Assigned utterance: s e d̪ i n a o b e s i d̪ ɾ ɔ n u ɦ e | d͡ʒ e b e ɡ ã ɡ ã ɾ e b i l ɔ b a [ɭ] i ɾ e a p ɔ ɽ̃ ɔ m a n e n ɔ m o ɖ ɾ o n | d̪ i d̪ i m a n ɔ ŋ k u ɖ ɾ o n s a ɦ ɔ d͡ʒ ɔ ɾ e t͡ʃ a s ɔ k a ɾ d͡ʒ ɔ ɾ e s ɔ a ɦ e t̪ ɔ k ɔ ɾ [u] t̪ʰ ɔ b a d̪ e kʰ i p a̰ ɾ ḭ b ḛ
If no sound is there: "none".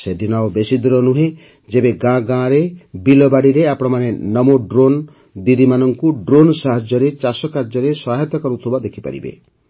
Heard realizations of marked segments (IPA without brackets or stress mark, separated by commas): ɽ, u